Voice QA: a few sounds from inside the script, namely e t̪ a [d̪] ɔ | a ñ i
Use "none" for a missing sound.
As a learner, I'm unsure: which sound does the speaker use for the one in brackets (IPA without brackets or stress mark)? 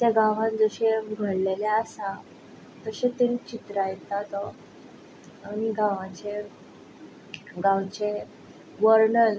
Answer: t̪